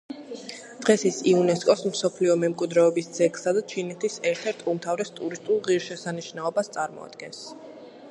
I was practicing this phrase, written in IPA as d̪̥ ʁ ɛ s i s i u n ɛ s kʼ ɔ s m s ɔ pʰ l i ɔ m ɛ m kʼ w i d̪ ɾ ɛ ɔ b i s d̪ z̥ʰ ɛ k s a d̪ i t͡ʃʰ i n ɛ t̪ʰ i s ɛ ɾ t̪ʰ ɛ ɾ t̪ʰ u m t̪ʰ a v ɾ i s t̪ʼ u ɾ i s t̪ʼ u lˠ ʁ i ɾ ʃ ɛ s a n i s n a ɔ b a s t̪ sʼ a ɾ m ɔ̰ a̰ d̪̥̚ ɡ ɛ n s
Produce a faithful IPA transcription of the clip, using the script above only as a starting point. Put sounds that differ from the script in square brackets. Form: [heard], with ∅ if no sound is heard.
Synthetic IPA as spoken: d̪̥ ʁ ɛ s i s i u n ɛ s kʼ ɔ s m s ɔ pʰ l i ɔ m ɛ m kʼ w i d̪ ɾ ɛ ɔ b i s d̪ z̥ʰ ɛ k s a d̪ [a] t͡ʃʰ i n ɛ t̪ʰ i s ɛ ɾ t̪ʰ ɛ ɾ t̪ʰ u m t̪ʰ a v ɾ [ɛ] s t̪ʼ u ɾ i s t̪ʼ u lˠ ʁ i ɾ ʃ ɛ s a n i [ʃ] n a ɔ b a s t̪ sʼ a ɾ m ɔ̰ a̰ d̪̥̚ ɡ ɛ n s

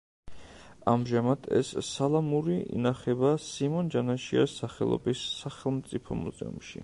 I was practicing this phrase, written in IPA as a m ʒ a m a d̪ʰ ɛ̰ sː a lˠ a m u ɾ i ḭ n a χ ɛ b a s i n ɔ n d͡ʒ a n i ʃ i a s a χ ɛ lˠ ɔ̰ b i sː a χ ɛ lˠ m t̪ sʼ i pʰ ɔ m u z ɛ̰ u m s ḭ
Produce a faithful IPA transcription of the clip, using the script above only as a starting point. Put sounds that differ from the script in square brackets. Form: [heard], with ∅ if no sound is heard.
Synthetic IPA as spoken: a m ʒ a m a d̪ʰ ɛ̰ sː a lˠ a m u ɾ i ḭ n a χ ɛ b a s i [m] ɔ n d͡ʒ a n [a] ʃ i a s a χ ɛ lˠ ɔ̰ b i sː a χ ɛ lˠ m t̪ sʼ i pʰ ɔ m u z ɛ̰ u m [ʃ] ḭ

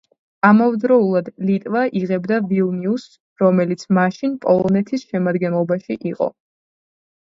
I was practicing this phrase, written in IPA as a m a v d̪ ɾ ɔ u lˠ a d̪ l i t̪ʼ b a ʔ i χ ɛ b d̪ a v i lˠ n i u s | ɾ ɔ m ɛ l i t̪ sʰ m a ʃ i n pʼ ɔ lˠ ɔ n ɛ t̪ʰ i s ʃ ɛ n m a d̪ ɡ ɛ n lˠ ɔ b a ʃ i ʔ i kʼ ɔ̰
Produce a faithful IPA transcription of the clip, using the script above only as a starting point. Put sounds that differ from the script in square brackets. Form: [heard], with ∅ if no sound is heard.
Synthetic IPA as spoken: a m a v d̪ ɾ ɔ u lˠ a d̪ l i t̪ʼ [v] a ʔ i [ʁ] ɛ b d̪ a v i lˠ n i u s | ɾ ɔ m ɛ l i t̪ sʰ m a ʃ i n pʼ ɔ lˠ ɔ n ɛ t̪ʰ i s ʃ ɛ [∅] m a d̪ ɡ ɛ n lˠ ɔ b a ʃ i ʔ i [qʼ] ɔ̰

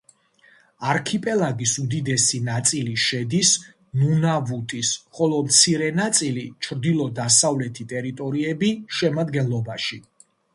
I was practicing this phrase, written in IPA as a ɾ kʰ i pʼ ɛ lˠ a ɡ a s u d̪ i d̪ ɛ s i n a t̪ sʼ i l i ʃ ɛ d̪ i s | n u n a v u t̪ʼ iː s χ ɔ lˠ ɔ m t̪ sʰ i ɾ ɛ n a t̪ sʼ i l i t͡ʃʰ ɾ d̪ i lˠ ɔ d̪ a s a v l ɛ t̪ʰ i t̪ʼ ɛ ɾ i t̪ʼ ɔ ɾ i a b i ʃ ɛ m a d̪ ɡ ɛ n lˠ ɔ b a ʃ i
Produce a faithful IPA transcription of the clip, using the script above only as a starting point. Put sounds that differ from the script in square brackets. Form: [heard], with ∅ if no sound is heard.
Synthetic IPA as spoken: a ɾ kʰ i pʼ ɛ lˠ a ɡ [i] s u d̪ i d̪ ɛ s i n a t̪ sʼ i l i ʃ ɛ d̪ i s | n u n a v u t̪ʼ [i] s χ ɔ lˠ ɔ m t̪ sʰ i ɾ ɛ n a t̪ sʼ i l i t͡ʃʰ ɾ d̪ i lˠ ɔ d̪ a s a v l ɛ t̪ʰ i t̪ʼ ɛ ɾ i t̪ʼ ɔ ɾ i [ɛ] b i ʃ ɛ m a d̪ ɡ ɛ n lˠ ɔ b a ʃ i

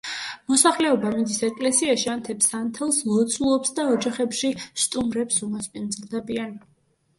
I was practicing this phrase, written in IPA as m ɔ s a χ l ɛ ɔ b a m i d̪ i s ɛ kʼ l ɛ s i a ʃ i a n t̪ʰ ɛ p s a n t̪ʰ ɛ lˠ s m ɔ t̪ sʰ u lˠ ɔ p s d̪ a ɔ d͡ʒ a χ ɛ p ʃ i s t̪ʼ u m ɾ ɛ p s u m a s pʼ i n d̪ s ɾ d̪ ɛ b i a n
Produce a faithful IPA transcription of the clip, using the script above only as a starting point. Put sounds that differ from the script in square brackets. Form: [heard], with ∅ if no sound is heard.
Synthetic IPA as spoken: m ɔ s a χ l ɛ ɔ b a m i d̪ i s ɛ kʼ l ɛ s i a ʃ i a n t̪ʰ ɛ p s a n t̪ʰ ɛ lˠ s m ɔ t̪ sʰ u lˠ ɔ p s d̪ a ɔ d͡ʒ a χ ɛ p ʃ i s t̪ʼ u m ɾ ɛ p s u m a s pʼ i n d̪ [z] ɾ d̪ ɛ b i a n

